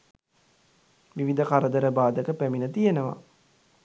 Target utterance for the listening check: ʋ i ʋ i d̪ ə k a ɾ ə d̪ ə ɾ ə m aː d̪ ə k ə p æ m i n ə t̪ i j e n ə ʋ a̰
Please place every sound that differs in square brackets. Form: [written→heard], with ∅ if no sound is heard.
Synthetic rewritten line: ʋ i ʋ i d̪ ə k a ɾ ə d̪ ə ɾ ə [m→b] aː d̪ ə k ə p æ m i n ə t̪ i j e n ə ʋ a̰

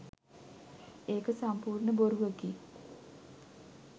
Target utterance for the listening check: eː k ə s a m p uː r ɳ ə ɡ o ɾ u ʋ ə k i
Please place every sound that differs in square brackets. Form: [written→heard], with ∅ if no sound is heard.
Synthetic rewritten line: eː k ə s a m p uː r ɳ ə [ɡ→b] o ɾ u ʋ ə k i

